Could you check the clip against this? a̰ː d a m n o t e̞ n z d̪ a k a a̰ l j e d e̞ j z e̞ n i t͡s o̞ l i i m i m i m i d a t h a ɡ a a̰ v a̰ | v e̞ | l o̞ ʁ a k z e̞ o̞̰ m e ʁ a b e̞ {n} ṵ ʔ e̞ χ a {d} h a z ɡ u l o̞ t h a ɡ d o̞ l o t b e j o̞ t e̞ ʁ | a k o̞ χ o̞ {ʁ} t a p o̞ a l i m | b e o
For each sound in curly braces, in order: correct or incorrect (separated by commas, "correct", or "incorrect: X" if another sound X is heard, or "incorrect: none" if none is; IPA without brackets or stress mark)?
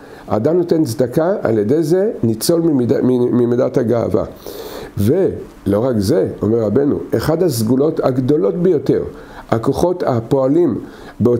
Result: correct, correct, incorrect: none